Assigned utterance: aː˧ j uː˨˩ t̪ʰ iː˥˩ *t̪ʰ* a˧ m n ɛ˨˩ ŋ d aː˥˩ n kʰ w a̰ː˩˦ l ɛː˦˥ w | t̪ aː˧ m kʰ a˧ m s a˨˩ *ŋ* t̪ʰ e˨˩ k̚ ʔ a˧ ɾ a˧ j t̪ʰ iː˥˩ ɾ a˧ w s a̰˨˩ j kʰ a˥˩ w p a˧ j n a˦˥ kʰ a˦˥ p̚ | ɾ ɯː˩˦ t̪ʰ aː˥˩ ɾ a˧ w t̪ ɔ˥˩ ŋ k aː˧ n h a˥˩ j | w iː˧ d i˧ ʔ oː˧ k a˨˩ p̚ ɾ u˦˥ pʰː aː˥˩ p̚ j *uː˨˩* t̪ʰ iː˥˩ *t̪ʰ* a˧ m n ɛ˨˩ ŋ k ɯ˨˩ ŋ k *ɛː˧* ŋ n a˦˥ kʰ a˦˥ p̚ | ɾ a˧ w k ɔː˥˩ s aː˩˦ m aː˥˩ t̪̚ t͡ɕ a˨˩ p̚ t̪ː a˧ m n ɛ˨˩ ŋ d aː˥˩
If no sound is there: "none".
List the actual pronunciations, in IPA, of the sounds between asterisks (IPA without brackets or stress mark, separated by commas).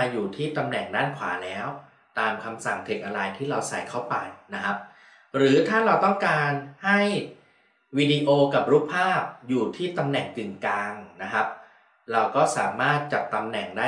t̪, ŋ, uː˨˩, t̪, aː˧